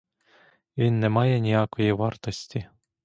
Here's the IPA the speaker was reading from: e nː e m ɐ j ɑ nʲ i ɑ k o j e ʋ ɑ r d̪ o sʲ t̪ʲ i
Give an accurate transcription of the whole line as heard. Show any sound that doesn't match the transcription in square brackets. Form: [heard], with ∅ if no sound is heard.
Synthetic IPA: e nː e m [ɑ] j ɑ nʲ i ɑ k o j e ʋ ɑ r [t̪] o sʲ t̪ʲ i